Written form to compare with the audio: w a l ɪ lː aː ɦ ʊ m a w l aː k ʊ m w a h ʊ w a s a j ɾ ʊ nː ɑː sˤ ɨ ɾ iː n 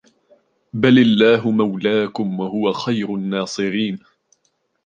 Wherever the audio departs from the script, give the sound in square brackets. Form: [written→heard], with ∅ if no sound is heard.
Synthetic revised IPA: [w→b] a l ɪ lː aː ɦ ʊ m a w l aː k ʊ m w a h ʊ w a [s→x] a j ɾ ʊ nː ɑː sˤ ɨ ɾ iː n